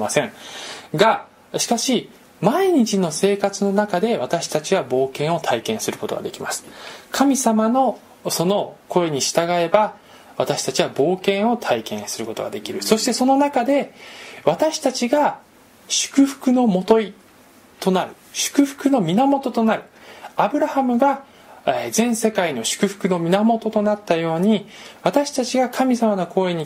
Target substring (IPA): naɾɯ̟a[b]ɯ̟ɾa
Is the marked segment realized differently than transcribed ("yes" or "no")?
no